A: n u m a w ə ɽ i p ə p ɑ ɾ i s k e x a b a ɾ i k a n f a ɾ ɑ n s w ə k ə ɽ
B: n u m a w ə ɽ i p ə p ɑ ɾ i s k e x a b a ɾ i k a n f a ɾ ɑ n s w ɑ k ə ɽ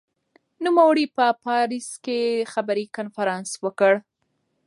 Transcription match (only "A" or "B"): A